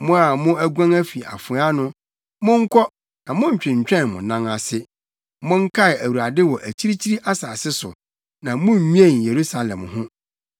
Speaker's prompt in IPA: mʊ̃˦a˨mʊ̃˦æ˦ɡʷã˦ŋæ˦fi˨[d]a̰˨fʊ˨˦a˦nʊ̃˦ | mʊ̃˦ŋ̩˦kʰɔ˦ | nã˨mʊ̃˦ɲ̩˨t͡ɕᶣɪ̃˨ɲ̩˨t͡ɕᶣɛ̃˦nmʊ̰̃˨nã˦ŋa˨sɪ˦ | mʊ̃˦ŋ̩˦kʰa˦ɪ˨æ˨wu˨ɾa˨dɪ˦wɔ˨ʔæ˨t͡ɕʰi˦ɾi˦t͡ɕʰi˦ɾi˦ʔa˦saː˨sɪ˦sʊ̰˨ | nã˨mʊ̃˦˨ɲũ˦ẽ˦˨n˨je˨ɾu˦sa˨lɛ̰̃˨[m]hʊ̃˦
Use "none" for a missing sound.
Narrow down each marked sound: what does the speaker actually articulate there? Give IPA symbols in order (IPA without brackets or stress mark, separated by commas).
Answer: none, m